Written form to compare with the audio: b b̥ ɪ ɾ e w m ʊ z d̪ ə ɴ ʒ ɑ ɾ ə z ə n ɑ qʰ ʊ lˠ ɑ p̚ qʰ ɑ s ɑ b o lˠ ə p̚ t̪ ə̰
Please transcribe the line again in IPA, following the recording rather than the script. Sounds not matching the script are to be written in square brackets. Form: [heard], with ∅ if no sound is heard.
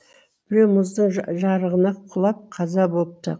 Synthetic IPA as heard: b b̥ ɪ ɾ e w m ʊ z d̪ ə ɴ ʒ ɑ ɾ ə [ʁ] ə n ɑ qʰ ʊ lˠ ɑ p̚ qʰ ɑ [z] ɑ b o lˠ ə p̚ t̪ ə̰